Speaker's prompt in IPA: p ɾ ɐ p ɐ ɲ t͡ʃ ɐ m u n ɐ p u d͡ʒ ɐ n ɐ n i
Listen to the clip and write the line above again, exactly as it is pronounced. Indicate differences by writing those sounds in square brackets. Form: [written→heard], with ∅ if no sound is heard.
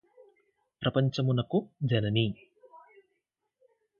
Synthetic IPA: p ɾ ɐ p ɐ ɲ t͡ʃ ɐ m u n ɐ [p→k] u d͡ʒ ɐ n ɐ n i